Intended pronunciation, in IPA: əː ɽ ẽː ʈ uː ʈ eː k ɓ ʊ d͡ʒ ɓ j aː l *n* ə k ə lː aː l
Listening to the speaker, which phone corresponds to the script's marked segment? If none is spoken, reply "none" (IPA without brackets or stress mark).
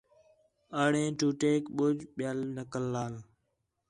n